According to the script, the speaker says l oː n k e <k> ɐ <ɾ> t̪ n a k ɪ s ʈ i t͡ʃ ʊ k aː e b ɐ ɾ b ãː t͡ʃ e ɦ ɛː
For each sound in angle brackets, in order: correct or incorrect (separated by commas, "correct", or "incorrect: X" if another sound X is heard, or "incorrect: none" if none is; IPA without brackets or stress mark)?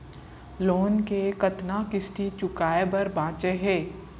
correct, incorrect: none